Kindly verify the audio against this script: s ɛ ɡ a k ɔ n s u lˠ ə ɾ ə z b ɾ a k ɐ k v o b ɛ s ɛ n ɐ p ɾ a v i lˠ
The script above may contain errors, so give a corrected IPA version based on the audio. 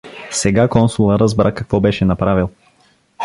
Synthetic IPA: s ɛ ɡ a k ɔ n s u lˠ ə ɾ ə z b ɾ a k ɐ k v ɔ b ɛ ʃ ɛ n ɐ p ɾ a v i lˠ

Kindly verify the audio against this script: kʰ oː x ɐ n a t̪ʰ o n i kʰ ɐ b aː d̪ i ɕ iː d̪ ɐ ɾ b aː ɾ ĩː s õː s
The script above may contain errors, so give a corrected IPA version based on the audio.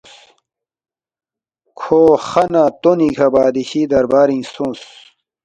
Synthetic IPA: kʰ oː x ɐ n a t̪ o n i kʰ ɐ b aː d̪ i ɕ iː d̪ ɐ ɾ b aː ɾ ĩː s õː s

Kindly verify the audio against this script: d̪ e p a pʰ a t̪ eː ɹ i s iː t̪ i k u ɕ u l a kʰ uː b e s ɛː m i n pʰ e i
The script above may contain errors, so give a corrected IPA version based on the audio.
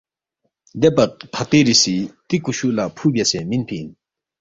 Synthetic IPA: d̪ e p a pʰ a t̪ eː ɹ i s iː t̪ i k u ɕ u l a pʰ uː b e s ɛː m i n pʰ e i

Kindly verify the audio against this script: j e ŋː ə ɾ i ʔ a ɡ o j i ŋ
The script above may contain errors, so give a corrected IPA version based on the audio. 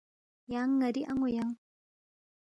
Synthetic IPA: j a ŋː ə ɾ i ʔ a ŋ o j a ŋ

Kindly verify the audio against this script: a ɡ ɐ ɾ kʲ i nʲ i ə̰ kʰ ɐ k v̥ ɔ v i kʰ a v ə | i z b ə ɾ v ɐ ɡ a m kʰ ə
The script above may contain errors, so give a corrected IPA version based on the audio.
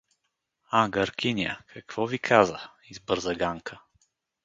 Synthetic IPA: a ɡ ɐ ɾ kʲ i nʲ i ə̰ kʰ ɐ k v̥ ɔ v i kʰ a z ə | i z b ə ɾ z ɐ ɡ a ŋ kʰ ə

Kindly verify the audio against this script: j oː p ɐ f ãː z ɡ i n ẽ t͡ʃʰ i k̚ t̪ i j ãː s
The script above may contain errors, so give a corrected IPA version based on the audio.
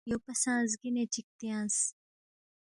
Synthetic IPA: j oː p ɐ s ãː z ɡ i n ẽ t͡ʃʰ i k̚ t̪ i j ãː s

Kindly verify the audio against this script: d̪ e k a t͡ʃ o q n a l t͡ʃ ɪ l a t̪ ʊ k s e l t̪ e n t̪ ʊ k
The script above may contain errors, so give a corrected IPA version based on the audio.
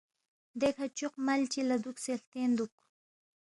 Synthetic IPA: d̪ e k a t͡ʃ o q m a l t͡ʃ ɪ l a d̪ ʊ k s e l t̪ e n d̪ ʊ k

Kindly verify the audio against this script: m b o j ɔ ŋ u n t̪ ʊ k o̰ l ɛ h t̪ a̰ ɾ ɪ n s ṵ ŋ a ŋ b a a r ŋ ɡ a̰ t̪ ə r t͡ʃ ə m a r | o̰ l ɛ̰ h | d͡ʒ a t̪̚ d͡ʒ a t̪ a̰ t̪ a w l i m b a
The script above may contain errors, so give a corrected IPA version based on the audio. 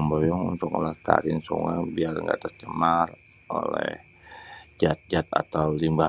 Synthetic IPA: m b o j ɔ ŋ u n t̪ ʊ k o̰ l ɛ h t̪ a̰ ɾ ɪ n s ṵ ŋ a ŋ b i a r ŋ ɡ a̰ t̪ ə r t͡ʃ ə m a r | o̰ l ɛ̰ h | d͡ʒ a t̪̚ d͡ʒ a t̪ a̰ t̪ a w l i m b a

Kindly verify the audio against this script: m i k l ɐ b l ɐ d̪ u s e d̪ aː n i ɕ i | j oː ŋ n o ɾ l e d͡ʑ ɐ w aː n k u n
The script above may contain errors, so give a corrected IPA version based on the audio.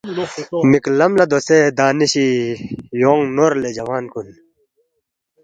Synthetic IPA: m i k l ɐ m l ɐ d̪ o s e d̪ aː n i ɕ i | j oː ŋ n o ɾ l e d͡ʑ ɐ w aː n k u n

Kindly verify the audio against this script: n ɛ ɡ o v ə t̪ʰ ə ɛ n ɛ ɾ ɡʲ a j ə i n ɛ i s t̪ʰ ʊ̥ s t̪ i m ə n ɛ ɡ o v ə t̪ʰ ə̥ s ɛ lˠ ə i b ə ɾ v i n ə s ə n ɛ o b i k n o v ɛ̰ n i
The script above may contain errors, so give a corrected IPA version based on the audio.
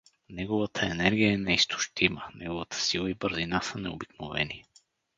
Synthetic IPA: n ɛ ɡ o v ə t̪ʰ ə ɛ n ɛ ɾ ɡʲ i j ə ɛ n ɛ i s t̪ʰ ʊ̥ ʃ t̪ i m ə n ɛ ɡ o v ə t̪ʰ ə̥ s i lˠ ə i b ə ɾ z i n a s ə n ɛ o b i k n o v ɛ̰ n i

